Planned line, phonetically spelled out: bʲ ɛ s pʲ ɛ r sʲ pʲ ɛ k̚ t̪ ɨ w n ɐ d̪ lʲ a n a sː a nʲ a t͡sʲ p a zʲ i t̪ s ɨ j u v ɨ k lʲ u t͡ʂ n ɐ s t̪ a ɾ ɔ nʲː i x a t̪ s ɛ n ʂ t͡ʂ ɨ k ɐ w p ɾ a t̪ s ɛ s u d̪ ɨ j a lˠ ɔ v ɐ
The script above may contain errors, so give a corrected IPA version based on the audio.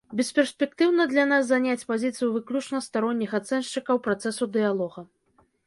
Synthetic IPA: bʲ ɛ s pʲ ɛ r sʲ pʲ ɛ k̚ t̪ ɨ w n ɐ d̪ lʲ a n a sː a nʲ a t͡sʲ p a zʲ i t̪ s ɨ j u v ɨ k lʲ u t͡ʂ n ɐ s t̪ a ɾ ɔ nʲː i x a t̪ s ɛ n ʂ t͡ʂ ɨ k ɐ w p ɾ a t̪ s ɛ s u d̪ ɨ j a lˠ ɔ ɣ ɐ